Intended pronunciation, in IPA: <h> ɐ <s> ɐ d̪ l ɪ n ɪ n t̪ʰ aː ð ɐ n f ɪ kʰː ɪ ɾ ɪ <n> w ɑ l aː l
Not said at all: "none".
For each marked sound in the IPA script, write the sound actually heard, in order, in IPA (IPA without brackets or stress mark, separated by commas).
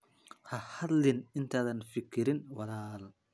h, h, n